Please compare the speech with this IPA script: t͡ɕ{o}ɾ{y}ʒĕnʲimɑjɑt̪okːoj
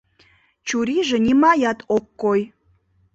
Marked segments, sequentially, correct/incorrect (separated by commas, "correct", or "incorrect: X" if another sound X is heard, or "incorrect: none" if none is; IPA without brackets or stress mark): incorrect: u, incorrect: i